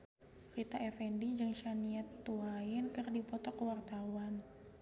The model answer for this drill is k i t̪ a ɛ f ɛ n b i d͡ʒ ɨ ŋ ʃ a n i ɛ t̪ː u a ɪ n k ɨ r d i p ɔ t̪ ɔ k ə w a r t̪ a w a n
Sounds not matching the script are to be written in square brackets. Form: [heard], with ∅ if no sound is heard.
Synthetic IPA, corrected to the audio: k i t̪ a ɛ f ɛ n [d] i d͡ʒ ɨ ŋ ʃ a n i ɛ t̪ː u a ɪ n k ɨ r d i p ɔ t̪ ɔ k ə w a r t̪ a w a n